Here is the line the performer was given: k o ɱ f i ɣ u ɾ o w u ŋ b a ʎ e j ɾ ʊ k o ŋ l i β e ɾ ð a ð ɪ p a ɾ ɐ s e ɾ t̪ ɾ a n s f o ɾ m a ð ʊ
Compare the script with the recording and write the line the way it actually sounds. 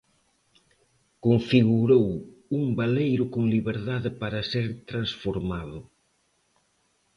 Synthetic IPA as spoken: k o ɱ f i ɣ u ɾ o w u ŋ b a l e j ɾ ʊ k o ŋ l i β e ɾ ð a ð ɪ p a ɾ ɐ s e ɾ t̪ ɾ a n s f o ɾ m a ð ʊ